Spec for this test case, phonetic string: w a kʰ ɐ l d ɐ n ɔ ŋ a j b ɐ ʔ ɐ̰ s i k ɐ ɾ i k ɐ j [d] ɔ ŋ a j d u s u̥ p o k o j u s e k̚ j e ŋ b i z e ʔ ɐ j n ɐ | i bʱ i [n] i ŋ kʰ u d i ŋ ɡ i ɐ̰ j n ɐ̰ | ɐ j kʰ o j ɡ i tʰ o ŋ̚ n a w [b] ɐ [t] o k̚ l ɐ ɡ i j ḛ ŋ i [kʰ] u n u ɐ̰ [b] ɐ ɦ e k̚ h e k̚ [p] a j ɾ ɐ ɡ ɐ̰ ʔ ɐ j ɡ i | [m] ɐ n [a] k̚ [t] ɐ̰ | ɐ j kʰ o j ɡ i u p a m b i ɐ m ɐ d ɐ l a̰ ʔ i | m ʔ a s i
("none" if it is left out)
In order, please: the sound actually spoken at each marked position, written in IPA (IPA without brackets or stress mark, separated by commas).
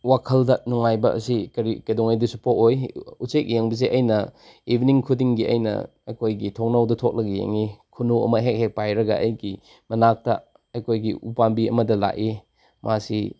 d, n, d, tʰ, kʰ, m, p, m, a, t